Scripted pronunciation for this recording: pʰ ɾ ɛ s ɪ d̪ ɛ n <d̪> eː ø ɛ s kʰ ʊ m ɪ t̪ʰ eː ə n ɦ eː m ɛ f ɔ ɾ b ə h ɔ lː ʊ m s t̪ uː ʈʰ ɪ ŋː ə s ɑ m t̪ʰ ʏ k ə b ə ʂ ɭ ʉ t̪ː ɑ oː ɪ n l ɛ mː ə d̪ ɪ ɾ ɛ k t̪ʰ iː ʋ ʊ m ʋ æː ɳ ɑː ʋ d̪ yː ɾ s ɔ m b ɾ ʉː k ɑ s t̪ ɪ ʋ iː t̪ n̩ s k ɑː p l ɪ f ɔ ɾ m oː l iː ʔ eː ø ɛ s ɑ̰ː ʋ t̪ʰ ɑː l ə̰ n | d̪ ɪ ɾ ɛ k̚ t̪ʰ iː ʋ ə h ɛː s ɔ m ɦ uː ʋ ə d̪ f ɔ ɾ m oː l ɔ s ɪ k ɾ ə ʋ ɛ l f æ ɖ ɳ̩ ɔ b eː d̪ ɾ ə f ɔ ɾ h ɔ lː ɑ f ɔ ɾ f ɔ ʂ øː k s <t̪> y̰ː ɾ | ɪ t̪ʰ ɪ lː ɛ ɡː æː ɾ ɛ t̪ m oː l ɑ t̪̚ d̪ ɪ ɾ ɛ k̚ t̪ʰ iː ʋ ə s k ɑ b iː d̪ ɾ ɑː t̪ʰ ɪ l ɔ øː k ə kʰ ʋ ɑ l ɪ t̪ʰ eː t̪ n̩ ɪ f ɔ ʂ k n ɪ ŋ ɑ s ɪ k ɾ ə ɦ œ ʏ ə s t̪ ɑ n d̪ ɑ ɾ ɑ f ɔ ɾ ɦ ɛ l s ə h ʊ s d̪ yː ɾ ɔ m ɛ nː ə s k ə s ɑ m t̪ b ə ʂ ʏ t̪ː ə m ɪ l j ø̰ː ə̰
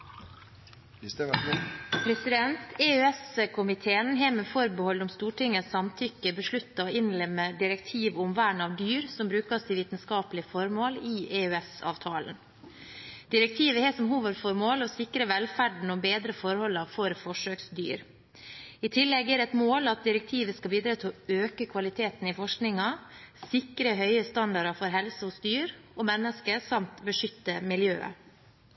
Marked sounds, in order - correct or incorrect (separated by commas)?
incorrect, incorrect